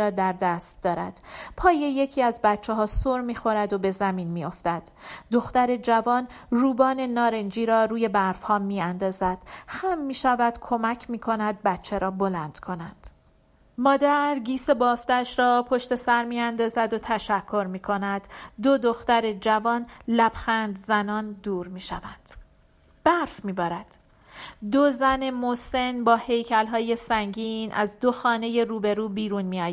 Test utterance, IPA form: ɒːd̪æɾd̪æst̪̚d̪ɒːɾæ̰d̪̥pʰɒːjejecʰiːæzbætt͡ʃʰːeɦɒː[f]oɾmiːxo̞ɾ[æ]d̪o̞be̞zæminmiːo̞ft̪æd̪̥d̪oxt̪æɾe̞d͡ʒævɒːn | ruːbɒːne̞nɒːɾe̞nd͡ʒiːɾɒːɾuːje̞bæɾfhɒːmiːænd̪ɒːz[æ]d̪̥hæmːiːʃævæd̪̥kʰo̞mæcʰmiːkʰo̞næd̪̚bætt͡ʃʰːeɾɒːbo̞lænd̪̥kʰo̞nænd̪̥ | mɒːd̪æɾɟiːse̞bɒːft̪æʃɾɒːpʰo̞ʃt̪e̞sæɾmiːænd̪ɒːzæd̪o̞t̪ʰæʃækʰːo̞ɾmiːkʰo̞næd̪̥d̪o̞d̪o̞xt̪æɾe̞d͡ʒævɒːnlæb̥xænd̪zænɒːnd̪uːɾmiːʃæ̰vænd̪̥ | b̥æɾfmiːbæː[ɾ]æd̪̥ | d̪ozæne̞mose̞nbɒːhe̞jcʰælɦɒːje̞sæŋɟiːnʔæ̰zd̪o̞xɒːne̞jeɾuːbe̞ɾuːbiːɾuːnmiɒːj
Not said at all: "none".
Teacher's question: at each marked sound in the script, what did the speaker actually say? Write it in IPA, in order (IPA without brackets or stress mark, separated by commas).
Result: s, æ, æ, ɾ